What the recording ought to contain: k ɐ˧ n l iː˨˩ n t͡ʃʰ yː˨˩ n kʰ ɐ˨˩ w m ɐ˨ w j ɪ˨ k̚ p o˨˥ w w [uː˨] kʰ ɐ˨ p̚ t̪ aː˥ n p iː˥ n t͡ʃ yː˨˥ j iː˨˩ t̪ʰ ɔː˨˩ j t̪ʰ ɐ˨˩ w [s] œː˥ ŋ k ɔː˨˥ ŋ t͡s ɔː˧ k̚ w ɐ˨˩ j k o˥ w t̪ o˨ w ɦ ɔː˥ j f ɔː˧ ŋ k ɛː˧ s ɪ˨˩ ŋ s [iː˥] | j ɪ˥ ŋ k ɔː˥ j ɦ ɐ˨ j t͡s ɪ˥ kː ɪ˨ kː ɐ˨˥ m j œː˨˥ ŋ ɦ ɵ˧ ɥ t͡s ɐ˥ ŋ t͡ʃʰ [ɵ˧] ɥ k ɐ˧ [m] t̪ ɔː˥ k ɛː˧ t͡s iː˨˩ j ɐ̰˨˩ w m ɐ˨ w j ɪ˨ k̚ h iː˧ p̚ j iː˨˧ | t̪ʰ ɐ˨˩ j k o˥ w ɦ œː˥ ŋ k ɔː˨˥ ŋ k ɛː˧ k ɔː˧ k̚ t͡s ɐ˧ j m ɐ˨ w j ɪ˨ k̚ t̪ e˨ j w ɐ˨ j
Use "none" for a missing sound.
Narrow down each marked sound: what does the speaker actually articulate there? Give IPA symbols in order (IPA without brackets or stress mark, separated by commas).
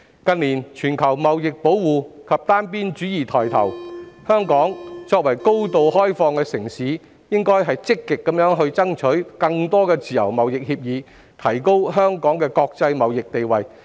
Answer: uː˨, h, iː˨˥, ɵ˨˥, ŋ